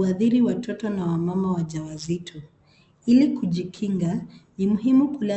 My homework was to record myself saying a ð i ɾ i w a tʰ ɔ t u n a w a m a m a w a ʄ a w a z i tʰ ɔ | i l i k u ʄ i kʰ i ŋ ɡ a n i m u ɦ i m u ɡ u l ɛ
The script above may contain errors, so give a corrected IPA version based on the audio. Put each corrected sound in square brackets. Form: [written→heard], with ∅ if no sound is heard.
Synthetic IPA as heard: a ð i ɾ i w a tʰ ɔ t [u→ɔ] n a w a m a m a w a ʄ a w a z i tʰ ɔ | i l i k u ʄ i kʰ i ŋ ɡ a n i m u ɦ i m u [ɡ→k] u l [ɛ→a]